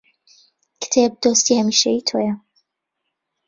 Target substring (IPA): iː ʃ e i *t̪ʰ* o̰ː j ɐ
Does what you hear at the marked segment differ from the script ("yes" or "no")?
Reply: no